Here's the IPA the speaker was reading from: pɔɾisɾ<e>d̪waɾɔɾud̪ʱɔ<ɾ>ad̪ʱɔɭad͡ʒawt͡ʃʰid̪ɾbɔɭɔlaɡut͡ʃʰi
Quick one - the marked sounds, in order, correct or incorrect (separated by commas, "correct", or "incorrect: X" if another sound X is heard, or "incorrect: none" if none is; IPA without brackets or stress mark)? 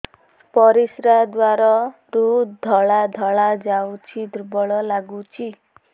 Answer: incorrect: a, incorrect: ɭ